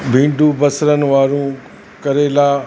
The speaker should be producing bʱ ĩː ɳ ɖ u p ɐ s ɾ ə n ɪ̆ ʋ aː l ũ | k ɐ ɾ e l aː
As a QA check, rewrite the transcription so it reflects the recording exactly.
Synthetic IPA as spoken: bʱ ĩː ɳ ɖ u b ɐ s ɾ ə n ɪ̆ ʋ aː ɾ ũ | k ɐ ɾ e l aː